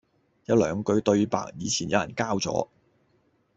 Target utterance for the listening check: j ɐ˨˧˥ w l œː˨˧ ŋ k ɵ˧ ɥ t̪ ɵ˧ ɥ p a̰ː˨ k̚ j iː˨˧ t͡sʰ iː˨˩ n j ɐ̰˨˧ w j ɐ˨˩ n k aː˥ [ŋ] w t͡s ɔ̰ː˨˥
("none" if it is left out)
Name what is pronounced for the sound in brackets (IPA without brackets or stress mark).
none